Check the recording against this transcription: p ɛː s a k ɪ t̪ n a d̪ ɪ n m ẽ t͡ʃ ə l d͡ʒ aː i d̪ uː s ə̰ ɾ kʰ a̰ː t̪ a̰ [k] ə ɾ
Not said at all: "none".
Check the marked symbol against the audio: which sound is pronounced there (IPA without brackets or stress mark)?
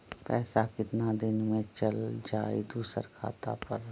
p